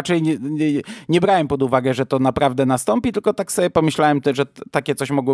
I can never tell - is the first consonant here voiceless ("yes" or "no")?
yes